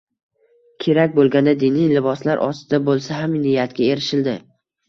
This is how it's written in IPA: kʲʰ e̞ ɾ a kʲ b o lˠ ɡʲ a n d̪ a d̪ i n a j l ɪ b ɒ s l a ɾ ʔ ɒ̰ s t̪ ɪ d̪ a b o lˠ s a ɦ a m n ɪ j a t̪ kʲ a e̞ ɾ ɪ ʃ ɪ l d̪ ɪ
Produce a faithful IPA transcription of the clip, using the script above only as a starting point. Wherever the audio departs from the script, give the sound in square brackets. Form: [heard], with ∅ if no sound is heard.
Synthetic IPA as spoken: kʲʰ e̞ ɾ a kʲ b o lˠ ɡʲ a n d̪ a d̪ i n [i] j l ɪ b ɒ s l a ɾ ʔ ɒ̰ s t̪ ɪ d̪ a b o lˠ s a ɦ a m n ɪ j a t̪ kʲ a e̞ ɾ ɪ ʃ ɪ l d̪ ɪ

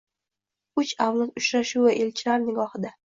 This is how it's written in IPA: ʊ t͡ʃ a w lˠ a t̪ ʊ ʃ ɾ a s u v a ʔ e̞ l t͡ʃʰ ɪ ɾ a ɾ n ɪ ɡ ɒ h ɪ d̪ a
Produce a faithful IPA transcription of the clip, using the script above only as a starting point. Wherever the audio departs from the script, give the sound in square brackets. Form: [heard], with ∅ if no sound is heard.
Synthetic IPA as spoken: ʊ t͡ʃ a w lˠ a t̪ ʊ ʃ ɾ a [ʃ] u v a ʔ e̞ l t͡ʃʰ ɪ [l] a ɾ n ɪ ɡ ɒ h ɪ d̪ a

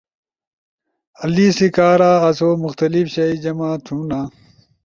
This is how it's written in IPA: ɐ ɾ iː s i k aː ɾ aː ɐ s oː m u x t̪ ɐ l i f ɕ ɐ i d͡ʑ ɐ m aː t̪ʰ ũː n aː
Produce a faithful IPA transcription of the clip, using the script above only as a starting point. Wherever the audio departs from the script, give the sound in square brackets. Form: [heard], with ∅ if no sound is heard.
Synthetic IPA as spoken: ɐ [l] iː s i k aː ɾ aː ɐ s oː m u x t̪ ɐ l i f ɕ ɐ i d͡ʑ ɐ m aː t̪ʰ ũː n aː

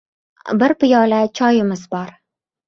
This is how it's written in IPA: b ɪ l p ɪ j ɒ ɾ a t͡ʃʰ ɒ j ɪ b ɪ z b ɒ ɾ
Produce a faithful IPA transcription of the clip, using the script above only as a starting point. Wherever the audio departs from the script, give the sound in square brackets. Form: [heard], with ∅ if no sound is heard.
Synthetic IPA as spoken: b ɪ [ɾ] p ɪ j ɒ [l] a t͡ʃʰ ɒ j ɪ [m] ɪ z b ɒ ɾ

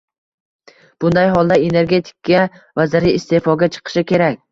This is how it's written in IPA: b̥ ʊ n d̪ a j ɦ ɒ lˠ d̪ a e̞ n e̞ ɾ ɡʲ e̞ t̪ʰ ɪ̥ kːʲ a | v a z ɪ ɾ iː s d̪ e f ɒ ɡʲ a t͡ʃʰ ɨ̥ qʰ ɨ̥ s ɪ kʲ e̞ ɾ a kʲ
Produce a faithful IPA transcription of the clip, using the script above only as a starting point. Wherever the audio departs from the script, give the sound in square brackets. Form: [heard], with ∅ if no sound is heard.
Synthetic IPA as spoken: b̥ ʊ n d̪ a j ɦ ɒ lˠ d̪ a e̞ n e̞ ɾ ɡʲ e̞ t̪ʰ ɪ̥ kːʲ a | v a z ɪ ɾ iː s [t̪] e f ɒ ɡʲ a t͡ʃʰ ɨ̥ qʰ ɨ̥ [ʃ] ɪ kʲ e̞ ɾ a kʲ

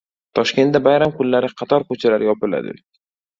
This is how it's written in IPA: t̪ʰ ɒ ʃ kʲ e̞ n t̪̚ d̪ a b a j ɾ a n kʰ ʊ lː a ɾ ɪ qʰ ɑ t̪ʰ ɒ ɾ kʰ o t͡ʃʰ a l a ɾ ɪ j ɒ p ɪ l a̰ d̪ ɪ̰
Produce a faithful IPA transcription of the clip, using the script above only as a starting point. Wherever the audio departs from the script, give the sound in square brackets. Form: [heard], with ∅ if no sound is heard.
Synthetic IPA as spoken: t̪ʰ ɒ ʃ kʲ e̞ n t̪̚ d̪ a b a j ɾ a [m] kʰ ʊ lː a ɾ ɪ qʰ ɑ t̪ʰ ɒ ɾ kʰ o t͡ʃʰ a l a ɾ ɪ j ɒ p ɪ l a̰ d̪ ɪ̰

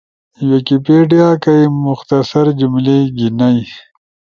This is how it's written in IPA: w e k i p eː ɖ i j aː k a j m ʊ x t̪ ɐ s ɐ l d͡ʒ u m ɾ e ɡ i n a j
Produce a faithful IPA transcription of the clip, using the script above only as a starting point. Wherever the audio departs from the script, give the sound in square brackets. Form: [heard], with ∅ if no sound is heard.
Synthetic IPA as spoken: w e k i p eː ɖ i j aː k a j m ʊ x t̪ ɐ s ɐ [ɾ] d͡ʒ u m [l] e ɡ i n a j

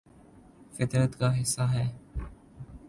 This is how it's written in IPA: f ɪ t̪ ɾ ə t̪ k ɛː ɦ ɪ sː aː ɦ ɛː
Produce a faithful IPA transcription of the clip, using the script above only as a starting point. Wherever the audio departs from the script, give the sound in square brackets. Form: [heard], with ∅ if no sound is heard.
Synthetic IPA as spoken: f ɪ t̪ ɾ ə t̪ k [aː] ɦ ɪ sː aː ɦ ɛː

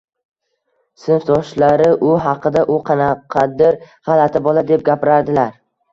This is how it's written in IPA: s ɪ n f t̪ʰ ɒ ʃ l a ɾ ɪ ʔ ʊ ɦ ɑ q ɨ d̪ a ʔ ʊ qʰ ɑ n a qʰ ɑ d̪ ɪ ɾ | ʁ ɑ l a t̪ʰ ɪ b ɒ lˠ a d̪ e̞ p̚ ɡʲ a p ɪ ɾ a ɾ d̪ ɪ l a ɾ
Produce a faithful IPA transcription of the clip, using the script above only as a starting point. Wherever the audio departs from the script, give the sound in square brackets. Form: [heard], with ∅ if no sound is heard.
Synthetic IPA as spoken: s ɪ n f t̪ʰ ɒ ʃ l a ɾ ɪ ʔ ʊ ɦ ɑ q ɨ d̪ a ʔ ʊ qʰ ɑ n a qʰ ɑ d̪ ɪ ɾ | ʁ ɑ l a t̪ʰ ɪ b ɒ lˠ a d̪ e̞ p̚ ɡʲ a p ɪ ɾ a ɾ d̪ ɪ l a ɾ

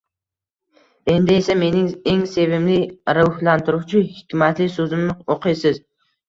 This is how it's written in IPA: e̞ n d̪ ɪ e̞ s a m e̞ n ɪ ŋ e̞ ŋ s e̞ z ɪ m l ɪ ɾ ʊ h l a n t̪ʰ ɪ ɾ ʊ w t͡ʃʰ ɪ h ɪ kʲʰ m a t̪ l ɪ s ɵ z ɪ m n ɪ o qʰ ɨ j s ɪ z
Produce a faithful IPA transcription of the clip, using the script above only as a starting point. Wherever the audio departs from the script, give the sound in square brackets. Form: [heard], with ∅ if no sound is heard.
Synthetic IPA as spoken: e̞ n d̪ ɪ e̞ s a m e̞ n ɪ ŋ e̞ ŋ s e̞ [v] ɪ m l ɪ ɾ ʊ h l a n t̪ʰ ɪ ɾ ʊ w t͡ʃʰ ɪ h ɪ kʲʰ m a t̪ l ɪ s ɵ z ɪ m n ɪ o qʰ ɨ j s ɪ z

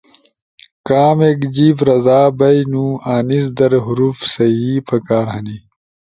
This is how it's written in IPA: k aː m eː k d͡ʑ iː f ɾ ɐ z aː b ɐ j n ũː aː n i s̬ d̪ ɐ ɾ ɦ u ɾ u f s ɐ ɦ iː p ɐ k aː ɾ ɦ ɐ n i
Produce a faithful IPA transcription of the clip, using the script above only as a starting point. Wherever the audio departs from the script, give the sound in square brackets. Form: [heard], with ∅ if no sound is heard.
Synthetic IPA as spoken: k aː m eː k d͡ʑ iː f ɾ ɐ z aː b ɐ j n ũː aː n i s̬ d̪ ɐ ɾ ɦ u ɾ u f s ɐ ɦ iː p ɐ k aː ɾ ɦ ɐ n i

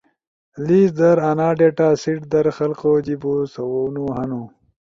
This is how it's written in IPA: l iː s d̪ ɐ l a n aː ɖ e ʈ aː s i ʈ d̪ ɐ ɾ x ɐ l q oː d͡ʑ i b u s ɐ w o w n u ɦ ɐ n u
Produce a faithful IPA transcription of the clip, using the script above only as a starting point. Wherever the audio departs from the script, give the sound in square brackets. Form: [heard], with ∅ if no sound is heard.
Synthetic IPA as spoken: l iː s d̪ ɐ [ɾ] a n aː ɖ e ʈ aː s i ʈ d̪ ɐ ɾ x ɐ l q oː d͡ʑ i b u s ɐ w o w n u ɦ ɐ n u

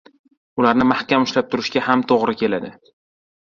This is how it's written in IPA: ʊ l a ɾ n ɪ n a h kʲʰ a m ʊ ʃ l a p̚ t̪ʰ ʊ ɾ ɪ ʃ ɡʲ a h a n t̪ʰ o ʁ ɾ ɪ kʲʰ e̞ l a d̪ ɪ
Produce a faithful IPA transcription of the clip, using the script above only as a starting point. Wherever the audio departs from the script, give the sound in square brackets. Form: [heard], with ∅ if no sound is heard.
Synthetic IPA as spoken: ʊ l a ɾ n ɪ [m] a h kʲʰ a m ʊ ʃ l a p̚ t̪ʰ ʊ ɾ ɪ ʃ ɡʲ a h a [m] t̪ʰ o ʁ ɾ ɪ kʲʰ e̞ l a d̪ ɪ

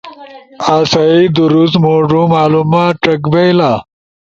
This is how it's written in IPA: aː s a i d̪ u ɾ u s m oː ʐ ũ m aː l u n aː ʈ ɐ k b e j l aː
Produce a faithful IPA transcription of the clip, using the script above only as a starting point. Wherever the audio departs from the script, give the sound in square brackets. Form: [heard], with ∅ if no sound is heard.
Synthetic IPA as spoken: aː s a i d̪ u ɾ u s m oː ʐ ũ m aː l u [m] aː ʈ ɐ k b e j l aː

